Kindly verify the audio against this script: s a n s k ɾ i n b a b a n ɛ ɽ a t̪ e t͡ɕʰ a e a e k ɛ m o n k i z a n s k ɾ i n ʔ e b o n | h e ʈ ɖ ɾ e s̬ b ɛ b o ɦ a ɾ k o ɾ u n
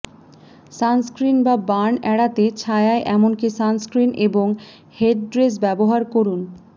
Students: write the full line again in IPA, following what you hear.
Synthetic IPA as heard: s a n s k ɾ i n b a b a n ɛ ɽ a t̪ e t͡ɕʰ a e a e ʔ ɛ m o n k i s a n s k ɾ i n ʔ e b o ŋ | h e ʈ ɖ ɾ e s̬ b ɛ b o ɦ a ɾ k o ɾ u n

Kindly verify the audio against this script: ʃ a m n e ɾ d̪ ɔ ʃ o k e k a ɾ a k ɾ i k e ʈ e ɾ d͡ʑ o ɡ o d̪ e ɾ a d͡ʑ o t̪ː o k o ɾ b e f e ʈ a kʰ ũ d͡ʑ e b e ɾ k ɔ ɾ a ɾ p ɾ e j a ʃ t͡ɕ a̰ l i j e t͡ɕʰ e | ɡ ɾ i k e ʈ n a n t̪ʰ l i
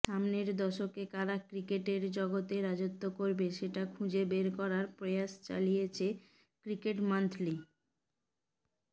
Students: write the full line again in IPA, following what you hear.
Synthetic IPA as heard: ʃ a m n e ɾ d̪ ɔ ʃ o k e k a ɾ a k ɾ i k e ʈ e ɾ d͡ʑ ɔ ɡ o t̪ e ɾ a d͡ʑ o t̪ː o k o ɾ b e ʃ e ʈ a kʰ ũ d͡ʑ e b e ɾ k ɔ ɾ a ɾ p ɾ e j a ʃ t͡ɕ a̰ l i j e t͡ɕʰ e | k ɾ i k e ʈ m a n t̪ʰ l i

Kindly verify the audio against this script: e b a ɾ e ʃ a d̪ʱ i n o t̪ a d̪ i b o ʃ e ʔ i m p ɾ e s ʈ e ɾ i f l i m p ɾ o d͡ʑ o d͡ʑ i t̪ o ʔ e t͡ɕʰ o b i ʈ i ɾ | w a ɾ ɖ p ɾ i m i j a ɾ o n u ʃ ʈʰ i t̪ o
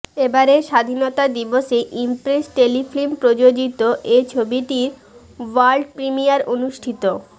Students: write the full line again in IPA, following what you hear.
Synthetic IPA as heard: e b a ɾ e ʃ a d̪ʱ i n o t̪ a d̪ i b o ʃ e ʔ i m p ɾ e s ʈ e l i f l i m p ɾ o d͡ʑ o d͡ʑ i t̪ o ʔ e t͡ɕʰ o b i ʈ i ɾ | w a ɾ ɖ p ɾ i m i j a ɾ o n u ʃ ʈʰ i t̪ o

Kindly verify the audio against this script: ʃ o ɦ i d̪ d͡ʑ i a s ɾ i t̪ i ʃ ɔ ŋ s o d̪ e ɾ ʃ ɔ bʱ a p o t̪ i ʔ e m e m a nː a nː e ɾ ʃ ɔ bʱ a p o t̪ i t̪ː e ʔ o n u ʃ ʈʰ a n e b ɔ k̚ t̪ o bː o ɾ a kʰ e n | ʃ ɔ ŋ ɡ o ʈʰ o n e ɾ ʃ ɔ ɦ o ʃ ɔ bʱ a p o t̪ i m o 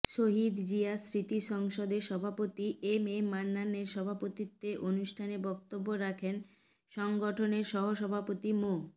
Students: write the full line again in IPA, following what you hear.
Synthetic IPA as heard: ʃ o ɦ i d̪ d͡ʑ i a s ɾ i t̪ i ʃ ɔ ŋ ʃ o d̪ e ɾ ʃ ɔ bʱ a p o t̪ i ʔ e m e m a nː a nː e ɾ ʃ ɔ bʱ a p o t̪ i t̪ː e ʔ o n u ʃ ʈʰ a n e b ɔ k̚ t̪ o bː o ɾ a kʰ e n | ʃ ɔ ŋ ɡ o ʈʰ o n e ɾ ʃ ɔ ɦ o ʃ ɔ bʱ a p o t̪ i m o

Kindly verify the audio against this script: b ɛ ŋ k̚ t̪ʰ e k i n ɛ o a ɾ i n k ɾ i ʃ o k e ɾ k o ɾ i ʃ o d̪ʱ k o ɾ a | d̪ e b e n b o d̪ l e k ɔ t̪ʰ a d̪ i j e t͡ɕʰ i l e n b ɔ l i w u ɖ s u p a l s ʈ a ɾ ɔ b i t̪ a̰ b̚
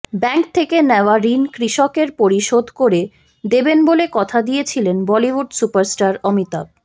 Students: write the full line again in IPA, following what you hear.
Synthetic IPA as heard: b ɛ ŋ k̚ t̪ʰ e k e n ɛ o a ɾ i n k ɾ i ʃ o k e ɾ p o ɾ i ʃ o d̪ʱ k o ɾ e | d̪ e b e n b o l e k ɔ t̪ʰ a d̪ i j e t͡ɕʰ i l e n b ɔ l i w u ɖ s u p a ɾ s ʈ a ɾ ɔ m i t̪ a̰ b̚

